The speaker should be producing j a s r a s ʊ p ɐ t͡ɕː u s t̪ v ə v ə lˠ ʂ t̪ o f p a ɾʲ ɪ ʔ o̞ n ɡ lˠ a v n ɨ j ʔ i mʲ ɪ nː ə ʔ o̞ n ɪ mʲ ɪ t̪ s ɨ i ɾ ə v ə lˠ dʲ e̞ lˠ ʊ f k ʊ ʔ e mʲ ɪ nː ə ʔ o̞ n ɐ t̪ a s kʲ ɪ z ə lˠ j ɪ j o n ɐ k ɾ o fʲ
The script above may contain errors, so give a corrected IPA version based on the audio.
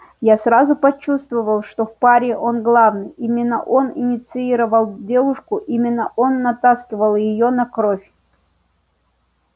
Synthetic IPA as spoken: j a s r a z ʊ p ɐ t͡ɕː u s t̪ v ə v ə lˠ ʂ t̪ o f p a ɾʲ ɪ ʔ o̞ n ɡ lˠ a v n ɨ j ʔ i mʲ ɪ nː ə ʔ o̞ n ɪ nʲ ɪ t̪ s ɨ i ɾ ə v ə lˠ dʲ e̞ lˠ ʊ ʂ k ʊ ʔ i mʲ ɪ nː ə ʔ o̞ nː ɐ t̪ a s kʲ ɪ v ə lˠ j ɪ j o n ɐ k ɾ o fʲ